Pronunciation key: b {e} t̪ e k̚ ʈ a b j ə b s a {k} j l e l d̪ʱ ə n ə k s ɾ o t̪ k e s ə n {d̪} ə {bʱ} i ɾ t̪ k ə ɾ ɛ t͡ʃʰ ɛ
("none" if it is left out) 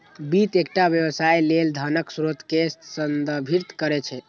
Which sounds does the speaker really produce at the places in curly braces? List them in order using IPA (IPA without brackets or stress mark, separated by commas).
i, none, d̪, bʱ